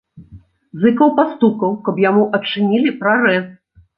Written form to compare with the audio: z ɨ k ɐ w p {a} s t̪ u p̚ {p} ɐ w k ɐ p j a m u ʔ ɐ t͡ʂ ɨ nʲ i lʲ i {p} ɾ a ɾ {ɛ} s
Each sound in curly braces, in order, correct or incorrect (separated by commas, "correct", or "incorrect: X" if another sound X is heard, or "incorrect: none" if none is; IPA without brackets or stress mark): correct, incorrect: k, correct, correct